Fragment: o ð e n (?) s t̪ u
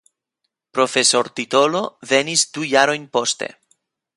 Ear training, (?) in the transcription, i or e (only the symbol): i